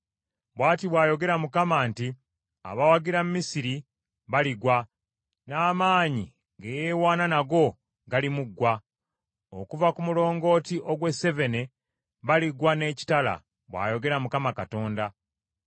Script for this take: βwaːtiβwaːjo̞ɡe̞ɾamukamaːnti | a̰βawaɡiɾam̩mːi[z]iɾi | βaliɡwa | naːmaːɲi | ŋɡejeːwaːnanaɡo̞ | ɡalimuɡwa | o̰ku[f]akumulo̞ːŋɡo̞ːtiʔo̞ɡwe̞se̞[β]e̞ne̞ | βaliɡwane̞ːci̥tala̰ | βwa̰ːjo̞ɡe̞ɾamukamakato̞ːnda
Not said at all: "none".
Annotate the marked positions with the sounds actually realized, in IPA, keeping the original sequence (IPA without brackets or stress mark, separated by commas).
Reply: s, v, v